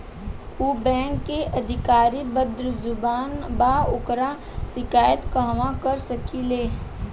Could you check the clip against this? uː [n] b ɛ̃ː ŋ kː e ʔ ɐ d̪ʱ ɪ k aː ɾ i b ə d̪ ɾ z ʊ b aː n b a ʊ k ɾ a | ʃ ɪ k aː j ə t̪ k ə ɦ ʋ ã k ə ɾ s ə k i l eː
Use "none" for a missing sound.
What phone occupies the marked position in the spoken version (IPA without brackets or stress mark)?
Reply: none